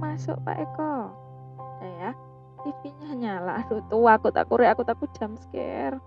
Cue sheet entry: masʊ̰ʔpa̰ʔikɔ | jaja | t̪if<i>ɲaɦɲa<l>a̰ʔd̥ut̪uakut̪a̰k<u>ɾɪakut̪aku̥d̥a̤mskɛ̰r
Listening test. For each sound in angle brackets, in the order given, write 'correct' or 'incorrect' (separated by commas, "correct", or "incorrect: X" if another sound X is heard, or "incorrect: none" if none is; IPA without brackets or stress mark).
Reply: correct, correct, correct